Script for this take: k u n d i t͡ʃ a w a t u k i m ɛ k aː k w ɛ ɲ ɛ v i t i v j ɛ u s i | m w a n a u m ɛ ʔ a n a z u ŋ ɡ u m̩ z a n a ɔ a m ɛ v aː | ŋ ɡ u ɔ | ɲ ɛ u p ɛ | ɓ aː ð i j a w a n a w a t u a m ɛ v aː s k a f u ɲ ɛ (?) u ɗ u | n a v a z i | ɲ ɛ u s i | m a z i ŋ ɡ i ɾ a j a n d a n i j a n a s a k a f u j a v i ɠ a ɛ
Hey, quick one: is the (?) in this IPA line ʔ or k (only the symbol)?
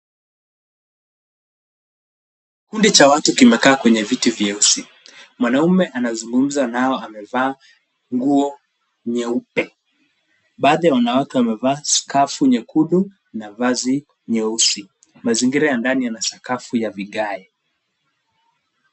k